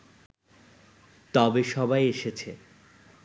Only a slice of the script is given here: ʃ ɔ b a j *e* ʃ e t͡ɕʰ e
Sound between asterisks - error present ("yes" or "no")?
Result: no